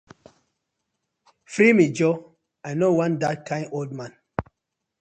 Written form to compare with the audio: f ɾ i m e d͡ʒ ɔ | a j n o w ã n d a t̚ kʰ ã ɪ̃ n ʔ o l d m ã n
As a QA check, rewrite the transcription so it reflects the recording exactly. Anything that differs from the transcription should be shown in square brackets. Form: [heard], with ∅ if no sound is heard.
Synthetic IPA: f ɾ i m [i] d͡ʒ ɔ | a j n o w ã n d a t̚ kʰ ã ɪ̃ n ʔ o l d m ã n